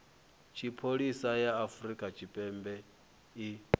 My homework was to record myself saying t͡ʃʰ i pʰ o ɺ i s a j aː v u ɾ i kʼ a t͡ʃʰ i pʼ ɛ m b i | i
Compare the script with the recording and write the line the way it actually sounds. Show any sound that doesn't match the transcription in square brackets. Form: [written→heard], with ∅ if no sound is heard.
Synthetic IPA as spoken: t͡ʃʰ i pʰ o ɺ i s a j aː [v→f] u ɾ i kʼ a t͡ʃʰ i pʼ ɛ m b [i→ɛ] | i